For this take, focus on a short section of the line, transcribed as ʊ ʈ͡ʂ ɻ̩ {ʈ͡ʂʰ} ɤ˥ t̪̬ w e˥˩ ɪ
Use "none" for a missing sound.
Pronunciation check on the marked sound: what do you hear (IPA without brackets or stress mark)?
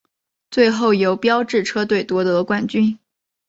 ʈ͡ʂʰ